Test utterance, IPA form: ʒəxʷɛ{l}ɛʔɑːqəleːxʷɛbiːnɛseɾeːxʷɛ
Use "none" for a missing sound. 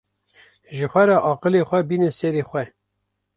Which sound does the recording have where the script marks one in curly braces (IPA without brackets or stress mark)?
ɾ